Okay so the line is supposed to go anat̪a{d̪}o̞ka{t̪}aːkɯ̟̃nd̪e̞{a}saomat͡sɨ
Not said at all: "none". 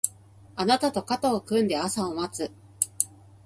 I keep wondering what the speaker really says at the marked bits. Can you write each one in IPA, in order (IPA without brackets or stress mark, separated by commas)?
t̪, t̪, a